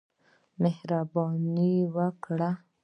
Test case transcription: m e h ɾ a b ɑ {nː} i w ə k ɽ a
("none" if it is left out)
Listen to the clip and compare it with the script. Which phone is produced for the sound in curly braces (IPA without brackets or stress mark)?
n